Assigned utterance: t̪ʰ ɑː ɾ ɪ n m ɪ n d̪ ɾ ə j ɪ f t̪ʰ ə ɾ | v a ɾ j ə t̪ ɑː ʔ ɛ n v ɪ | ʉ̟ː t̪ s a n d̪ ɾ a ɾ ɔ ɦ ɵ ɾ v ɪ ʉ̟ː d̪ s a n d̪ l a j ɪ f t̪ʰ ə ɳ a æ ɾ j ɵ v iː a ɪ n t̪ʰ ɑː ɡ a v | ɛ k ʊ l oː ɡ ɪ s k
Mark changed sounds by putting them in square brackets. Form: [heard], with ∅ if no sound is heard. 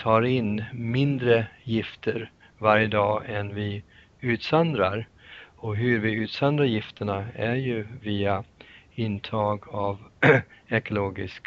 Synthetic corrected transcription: t̪ʰ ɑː ɾ ɪ n m ɪ n d̪ ɾ ə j ɪ f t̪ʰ ə ɾ | v a ɾ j ə [d̪] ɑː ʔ ɛ n v ɪ | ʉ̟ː t̪ s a n d̪ ɾ a ɾ ɔ ɦ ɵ ɾ v ɪ ʉ̟ː [t̪] s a n d̪ [ɾ] a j ɪ f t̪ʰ ə ɳ a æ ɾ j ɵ v iː a ɪ n t̪ʰ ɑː ɡ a v | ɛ k ʊ l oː ɡ ɪ s k